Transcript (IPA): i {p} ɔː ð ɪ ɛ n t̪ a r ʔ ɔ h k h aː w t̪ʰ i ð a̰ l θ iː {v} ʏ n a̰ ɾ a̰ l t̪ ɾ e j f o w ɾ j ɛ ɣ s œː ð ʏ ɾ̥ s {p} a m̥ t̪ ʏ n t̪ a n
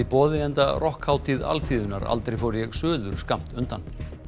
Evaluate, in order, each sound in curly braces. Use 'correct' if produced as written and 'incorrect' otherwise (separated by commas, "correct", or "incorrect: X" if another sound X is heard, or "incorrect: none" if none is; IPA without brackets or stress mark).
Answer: correct, incorrect: ð, incorrect: k